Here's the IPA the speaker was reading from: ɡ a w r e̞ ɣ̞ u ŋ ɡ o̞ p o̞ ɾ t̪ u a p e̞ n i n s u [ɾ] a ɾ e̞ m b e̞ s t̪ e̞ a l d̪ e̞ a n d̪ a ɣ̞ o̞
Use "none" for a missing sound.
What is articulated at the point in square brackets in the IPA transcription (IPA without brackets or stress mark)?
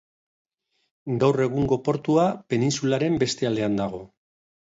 l